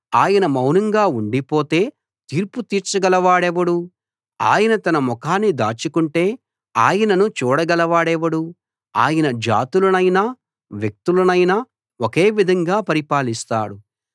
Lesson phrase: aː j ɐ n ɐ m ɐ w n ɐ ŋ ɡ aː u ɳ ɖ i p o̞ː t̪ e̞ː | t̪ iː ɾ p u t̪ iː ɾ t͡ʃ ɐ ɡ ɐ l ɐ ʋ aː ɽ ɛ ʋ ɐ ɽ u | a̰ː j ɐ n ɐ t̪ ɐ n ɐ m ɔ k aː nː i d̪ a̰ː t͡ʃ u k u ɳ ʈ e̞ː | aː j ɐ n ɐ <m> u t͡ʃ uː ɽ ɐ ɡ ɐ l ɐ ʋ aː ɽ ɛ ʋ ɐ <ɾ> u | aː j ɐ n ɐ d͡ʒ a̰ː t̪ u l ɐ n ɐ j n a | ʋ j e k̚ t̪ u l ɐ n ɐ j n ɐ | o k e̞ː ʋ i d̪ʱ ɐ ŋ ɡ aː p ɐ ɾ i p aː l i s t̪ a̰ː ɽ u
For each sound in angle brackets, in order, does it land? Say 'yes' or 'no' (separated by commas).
no, no